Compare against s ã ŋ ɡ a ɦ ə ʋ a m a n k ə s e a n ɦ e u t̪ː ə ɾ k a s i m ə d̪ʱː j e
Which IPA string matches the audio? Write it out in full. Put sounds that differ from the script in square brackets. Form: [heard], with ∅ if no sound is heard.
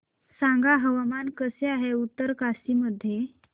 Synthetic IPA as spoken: s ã ŋ ɡ a ɦ ə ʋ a m a n k ə s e a [∅] ɦ e u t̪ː ə ɾ k a s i m ə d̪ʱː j e